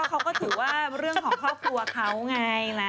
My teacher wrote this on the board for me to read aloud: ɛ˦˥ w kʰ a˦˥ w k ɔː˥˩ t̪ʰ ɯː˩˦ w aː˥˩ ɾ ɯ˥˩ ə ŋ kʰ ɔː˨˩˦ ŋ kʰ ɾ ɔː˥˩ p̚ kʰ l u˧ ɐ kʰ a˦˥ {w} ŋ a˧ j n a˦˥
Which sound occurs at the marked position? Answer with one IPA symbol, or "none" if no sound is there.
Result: w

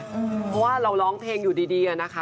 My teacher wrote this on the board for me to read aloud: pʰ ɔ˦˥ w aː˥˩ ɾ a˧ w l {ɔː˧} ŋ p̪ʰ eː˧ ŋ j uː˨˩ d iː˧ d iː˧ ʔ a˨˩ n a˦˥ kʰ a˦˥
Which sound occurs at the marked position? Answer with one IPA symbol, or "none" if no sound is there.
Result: ɔː˦˥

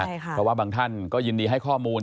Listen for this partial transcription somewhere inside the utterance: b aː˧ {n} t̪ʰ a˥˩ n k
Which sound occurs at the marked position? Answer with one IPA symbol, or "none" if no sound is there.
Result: ŋ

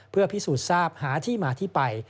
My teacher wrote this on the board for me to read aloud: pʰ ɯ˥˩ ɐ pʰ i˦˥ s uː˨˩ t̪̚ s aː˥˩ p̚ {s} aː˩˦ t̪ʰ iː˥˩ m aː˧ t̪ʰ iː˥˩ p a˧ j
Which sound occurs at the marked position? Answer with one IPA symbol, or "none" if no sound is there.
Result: h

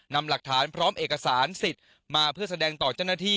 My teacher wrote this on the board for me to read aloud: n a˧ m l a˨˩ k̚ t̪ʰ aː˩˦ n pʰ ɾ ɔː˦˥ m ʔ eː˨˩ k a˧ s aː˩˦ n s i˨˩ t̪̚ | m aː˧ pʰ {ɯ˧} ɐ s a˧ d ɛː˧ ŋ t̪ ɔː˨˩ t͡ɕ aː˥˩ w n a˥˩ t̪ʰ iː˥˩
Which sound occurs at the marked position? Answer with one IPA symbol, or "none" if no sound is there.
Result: ɯ˥˩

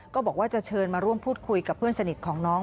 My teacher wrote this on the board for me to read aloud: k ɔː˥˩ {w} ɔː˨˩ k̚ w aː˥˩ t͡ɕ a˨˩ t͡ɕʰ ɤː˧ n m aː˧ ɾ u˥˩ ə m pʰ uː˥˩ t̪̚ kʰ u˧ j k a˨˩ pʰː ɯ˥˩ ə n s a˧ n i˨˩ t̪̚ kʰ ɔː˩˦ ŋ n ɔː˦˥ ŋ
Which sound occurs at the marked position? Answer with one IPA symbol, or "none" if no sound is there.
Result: b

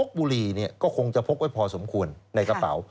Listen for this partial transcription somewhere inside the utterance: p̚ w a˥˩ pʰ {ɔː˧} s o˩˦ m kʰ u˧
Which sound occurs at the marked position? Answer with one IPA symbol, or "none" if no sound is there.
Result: ɔː˧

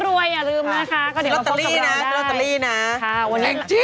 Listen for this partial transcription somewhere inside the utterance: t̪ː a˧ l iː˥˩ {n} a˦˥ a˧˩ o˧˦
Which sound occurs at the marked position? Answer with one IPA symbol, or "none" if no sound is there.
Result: n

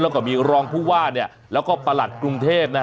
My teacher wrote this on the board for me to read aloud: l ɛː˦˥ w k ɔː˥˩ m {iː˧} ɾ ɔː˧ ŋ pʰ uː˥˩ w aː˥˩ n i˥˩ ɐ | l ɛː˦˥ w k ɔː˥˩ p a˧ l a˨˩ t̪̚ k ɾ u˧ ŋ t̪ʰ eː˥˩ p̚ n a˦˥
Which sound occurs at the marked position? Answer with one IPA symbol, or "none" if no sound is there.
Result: iː˧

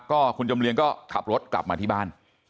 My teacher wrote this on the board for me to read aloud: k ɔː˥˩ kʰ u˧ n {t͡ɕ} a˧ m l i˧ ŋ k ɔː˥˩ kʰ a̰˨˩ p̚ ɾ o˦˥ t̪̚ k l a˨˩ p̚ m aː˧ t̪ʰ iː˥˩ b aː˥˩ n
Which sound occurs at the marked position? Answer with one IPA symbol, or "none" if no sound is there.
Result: t͡ɕ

